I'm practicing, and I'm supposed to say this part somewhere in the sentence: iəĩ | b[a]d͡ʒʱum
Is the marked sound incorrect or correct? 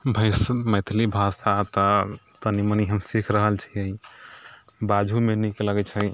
correct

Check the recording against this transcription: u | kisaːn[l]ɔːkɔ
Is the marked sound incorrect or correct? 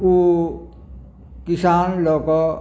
correct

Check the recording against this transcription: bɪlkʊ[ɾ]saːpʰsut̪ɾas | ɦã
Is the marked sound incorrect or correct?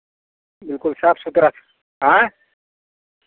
incorrect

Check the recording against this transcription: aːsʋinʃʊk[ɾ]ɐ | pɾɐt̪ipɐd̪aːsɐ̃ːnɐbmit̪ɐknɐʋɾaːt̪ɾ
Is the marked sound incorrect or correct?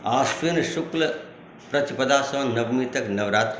incorrect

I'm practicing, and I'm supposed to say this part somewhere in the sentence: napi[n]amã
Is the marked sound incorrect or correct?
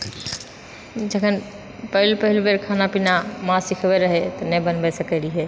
correct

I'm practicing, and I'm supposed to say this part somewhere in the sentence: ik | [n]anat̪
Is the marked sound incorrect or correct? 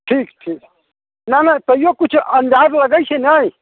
correct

